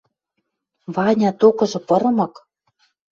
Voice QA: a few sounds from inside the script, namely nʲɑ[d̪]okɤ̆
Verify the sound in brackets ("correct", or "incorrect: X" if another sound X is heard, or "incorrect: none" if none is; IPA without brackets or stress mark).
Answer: incorrect: t̪